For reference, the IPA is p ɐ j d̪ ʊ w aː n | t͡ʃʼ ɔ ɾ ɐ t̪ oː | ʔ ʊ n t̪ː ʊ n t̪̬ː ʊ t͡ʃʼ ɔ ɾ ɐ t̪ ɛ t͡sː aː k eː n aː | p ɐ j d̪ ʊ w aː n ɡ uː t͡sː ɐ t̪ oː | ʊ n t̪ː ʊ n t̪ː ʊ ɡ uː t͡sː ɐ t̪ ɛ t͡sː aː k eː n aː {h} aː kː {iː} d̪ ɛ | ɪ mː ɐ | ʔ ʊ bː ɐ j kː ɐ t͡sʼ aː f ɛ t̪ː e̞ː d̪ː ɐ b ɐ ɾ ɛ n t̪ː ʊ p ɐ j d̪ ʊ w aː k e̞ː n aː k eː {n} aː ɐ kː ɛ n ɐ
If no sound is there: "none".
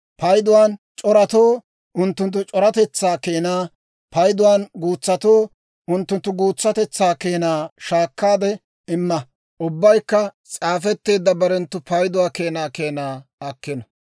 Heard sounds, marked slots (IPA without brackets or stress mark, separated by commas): ʃ, aː, n